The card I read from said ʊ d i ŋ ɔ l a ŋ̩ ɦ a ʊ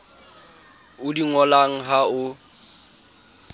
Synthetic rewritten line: ʊ d i ŋ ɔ l a ŋ̩ ɦ a ʊ

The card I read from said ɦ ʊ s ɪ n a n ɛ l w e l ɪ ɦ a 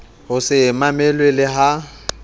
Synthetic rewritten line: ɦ ʊ s ɪ m a m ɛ l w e l ɪ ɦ a

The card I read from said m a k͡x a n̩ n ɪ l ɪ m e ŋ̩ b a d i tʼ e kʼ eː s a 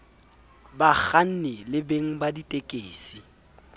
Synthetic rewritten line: b a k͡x a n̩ n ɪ l ɪ b e ŋ̩ b a d i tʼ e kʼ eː s i

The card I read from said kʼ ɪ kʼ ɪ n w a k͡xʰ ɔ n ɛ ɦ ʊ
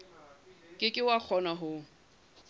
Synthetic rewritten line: kʼ ɪ kʼ ɪ w a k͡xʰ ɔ n a ɦ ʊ

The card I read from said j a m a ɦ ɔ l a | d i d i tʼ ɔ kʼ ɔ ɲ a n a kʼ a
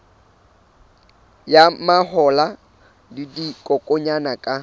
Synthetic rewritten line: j a m a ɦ ɔ l a | d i d i kʼ ɔ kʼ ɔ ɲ a n a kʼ a

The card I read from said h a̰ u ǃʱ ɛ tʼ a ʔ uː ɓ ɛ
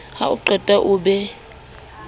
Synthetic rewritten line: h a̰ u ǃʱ ɛ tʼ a ʔ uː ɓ ɛ

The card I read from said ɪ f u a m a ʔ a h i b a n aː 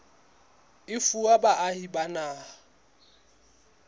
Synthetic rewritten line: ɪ f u a b a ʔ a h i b a n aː

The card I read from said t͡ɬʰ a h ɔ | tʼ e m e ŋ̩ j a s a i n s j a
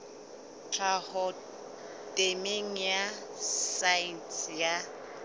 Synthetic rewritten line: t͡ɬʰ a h ɔ | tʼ e m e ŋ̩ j a s a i n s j a

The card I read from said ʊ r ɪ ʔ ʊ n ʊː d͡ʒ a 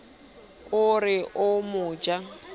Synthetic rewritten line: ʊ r ɪ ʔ ʊ m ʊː d͡ʒ a

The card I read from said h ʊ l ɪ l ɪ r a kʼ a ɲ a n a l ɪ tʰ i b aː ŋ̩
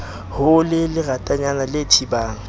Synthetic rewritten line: h ʊ l ɪ l ɪ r a tʼ a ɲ a n a l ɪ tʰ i b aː ŋ̩

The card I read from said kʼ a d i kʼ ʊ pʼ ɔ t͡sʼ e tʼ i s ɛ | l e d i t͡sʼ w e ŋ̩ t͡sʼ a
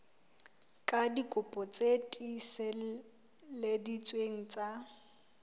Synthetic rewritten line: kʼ a d i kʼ ʊ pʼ ɔ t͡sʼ e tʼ i s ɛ | l e d i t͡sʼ w e ŋ̩ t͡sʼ a

